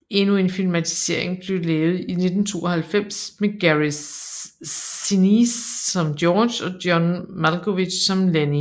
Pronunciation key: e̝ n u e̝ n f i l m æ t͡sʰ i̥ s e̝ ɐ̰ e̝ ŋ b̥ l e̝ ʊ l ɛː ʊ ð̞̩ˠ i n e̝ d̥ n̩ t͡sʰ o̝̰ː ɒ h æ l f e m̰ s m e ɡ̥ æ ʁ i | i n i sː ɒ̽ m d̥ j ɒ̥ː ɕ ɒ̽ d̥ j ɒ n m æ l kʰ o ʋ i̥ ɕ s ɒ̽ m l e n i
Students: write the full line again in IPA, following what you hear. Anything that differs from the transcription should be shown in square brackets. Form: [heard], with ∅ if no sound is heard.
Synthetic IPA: e̝ n u e̝ n f i l m æ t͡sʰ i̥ s e̝ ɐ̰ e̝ ŋ b̥ l e̝ ʊ l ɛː ʊ ð̞̩ˠ i n e̝ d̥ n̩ t͡sʰ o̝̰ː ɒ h æ l f e m̰ s m e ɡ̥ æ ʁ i | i n i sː ɒ̽ m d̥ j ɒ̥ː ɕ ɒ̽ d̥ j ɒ n m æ l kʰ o ʋ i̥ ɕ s ɒ̽ m l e n i